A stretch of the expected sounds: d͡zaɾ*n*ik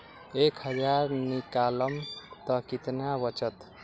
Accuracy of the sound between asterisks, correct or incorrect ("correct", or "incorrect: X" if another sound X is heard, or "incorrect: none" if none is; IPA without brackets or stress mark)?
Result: correct